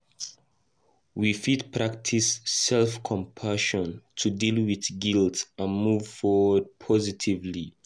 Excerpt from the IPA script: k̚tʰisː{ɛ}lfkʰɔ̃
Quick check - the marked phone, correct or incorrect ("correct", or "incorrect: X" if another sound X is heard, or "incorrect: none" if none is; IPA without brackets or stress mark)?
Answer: correct